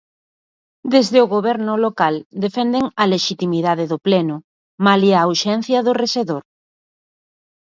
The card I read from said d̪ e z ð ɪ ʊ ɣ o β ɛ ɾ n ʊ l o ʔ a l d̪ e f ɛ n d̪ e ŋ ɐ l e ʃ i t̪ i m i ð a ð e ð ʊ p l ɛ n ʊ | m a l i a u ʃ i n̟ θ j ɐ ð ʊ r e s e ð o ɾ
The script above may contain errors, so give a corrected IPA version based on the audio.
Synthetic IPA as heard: d̪ e z ð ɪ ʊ ɣ o β ɛ ɾ n ʊ l o k a l d̪ e f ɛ n d̪ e ŋ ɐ l e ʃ i t̪ i m i ð a ð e ð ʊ p l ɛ n ʊ | m a l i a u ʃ ɛ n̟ θ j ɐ ð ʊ r e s e ð o ɾ

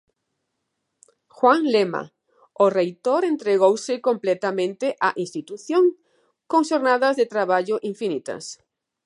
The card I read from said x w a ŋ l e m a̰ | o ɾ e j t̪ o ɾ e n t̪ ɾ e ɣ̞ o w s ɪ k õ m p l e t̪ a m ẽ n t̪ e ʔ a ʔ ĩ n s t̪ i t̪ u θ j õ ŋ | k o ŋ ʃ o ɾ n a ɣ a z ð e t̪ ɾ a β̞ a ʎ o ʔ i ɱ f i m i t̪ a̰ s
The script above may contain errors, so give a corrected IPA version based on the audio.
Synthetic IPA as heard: x w a ŋ l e m a̰ | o r e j t̪ o ɾ e n t̪ ɾ e ɣ̞ o w s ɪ k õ m p l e t̪ a m ẽ n t̪ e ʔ a ʔ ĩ n s t̪ i t̪ u θ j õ ŋ | k o ŋ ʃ o ɾ n a ð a z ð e t̪ ɾ a β̞ a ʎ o ʔ i ɱ f i n i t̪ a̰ s

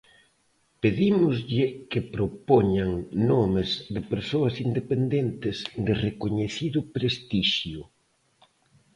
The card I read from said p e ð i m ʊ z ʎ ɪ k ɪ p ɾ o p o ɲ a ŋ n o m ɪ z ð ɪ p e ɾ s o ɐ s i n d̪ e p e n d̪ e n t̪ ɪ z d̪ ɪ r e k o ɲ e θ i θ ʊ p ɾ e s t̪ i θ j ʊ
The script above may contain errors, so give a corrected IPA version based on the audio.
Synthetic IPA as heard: p e ð i m ʊ z ʎ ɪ k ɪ p ɾ o p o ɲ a ŋ n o m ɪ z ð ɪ p e ɾ s o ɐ s i n d̪ e p e n d̪ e n t̪ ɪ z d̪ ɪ r e k o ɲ e θ i ð ʊ p ɾ e s t̪ i ʃ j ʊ

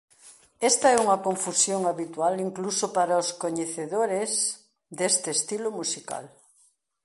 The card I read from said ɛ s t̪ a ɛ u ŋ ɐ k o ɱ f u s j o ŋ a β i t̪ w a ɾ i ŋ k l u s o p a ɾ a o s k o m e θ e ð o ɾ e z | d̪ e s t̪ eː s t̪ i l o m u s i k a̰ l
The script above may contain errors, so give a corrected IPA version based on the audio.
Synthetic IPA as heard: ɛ s t̪ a ɛ u ŋ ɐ k o ɱ f u s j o ŋ a β i t̪ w a l i ŋ k l u s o p a ɾ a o s k o ɲ e θ e ð o ɾ e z | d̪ e s t̪ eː s t̪ i l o m u s i k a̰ l

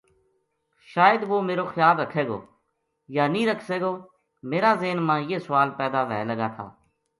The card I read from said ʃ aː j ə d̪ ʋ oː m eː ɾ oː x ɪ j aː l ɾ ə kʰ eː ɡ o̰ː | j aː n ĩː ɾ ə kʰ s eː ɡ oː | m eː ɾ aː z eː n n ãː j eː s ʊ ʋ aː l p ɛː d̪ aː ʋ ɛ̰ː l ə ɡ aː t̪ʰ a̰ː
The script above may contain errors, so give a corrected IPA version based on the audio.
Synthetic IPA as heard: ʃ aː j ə d̪ ʋ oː m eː ɾ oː x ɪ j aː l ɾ ə kʰ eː ɡ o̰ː | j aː n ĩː ɾ ə kʰ s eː ɡ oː | m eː ɾ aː z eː n m ãː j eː s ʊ ʋ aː l p ɛː d̪ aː ʋ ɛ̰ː l ə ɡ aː t̪ʰ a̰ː

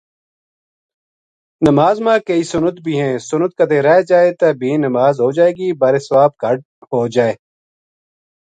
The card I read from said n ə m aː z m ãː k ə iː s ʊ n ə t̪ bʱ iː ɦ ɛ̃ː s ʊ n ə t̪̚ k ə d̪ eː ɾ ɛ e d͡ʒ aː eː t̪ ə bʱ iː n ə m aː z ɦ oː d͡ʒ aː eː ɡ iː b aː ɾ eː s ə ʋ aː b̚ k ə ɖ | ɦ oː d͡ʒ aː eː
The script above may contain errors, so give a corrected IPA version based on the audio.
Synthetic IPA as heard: n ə m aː z m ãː k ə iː s ʊ n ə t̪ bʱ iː ɦ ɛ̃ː s ʊ n ə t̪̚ k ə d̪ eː ɾ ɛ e d͡ʒ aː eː t̪ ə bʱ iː n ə m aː z ɦ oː d͡ʒ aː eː ɡ iː b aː ɾ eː s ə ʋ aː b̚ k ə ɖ | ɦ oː d͡ʒ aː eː

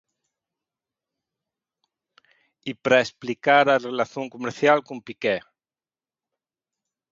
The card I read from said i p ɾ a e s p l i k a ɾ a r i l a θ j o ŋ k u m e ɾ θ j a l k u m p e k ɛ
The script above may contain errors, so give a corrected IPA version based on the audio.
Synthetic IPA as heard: i p ɾ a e s p l i k a ɾ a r e l a θ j o ŋ k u m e ɾ θ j a l k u m p i k ɛ

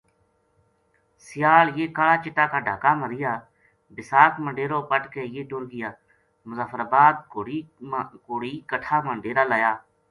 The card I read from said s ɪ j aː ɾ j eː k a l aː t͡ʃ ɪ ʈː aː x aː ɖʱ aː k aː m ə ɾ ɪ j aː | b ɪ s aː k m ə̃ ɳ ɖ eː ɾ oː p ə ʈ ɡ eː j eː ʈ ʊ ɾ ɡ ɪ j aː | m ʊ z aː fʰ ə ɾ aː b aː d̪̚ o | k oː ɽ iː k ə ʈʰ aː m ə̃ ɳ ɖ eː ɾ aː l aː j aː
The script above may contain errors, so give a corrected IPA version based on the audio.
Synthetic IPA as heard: s ɪ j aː l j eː k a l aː t͡ʃ ɪ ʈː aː k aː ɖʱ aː k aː m ə ɾ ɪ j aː | b ɪ s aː k m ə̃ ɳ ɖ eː ɾ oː p ə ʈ k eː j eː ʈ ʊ ɾ ɡ ɪ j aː | m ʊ z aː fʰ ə ɾ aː b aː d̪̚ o | k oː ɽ iː k ə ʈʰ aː m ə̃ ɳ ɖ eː ɾ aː l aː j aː

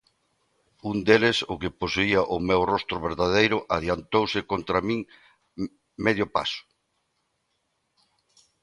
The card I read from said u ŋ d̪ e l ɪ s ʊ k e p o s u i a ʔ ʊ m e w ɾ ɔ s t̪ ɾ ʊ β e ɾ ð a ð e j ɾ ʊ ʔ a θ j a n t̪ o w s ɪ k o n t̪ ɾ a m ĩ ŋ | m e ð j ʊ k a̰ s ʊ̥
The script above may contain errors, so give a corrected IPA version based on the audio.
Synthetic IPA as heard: u n d̪ e l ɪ s ʊ k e p o s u i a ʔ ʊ m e w r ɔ s t̪ ɾ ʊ β e ɾ ð a ð e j ɾ ʊ ʔ a ð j a n t̪ o w s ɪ k o n t̪ ɾ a m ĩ ŋ | m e ð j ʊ p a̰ s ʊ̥

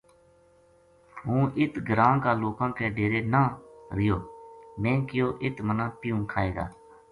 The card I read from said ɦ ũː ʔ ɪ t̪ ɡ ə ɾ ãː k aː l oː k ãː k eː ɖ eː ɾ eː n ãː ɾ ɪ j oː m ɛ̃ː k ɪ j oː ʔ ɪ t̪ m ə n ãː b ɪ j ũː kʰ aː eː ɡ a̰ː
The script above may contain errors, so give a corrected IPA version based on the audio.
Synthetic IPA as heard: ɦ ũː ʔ ɪ t̪ ɡ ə ɾ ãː k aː l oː k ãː k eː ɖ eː ɾ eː n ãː ɾ ɪ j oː m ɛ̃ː k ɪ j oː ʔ ɪ t̪ m ə n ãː p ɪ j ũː kʰ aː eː ɡ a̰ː

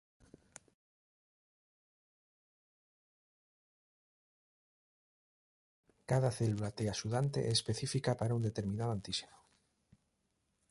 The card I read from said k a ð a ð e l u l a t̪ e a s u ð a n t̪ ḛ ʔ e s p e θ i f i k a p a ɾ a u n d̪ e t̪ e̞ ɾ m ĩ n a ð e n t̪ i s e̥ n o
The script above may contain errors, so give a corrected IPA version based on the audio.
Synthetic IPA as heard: k a ð a θ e l u l a t̪ e a s u ð a n t̪ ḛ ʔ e s p e θ i f i k a p a ɾ a u n d̪ e t̪ e̞ ɾ m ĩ n a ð a n t̪ i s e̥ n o

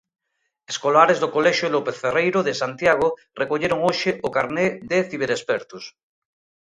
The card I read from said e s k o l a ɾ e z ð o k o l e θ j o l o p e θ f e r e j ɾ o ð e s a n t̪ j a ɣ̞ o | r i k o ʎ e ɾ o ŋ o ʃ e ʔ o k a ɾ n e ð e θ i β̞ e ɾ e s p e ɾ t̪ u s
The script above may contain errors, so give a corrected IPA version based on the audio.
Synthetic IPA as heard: e s k o l a ɾ e z ð o k o l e ʃ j o l o p e θ f e r e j ɾ o ð e s a n t̪ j a ɣ̞ o | r e k o ʎ e ɾ o ŋ o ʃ e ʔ o k a ɾ n e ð e θ i β̞ e ɾ e s p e ɾ t̪ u s

